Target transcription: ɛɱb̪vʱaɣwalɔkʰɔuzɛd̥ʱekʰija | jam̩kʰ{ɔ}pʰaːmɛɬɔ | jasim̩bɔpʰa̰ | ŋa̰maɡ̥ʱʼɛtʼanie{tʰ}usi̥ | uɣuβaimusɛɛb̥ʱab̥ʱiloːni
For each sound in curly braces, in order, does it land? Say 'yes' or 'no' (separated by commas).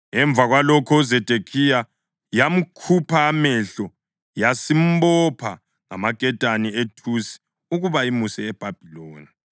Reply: no, yes